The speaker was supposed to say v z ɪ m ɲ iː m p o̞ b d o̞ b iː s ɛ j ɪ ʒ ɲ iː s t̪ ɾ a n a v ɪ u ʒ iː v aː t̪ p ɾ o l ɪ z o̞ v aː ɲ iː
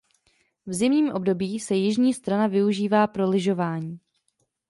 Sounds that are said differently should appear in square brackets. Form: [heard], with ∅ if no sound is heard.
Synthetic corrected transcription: v z ɪ m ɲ iː m [ʔ] o̞ b d o̞ b iː s ɛ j ɪ ʒ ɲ iː s t̪ ɾ a n a v ɪ u ʒ iː v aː [∅] p ɾ o l ɪ [ʒ] o̞ v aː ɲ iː